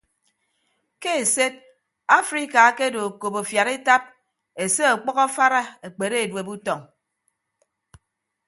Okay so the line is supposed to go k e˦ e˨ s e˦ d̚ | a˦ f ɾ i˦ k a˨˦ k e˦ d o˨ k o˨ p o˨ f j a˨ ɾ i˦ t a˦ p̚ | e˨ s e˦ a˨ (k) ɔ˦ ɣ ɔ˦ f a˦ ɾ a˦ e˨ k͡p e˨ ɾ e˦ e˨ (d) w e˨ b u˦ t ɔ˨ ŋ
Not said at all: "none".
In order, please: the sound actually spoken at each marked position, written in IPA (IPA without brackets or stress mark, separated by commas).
k͡p, d